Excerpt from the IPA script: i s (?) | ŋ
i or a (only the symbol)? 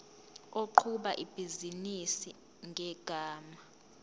i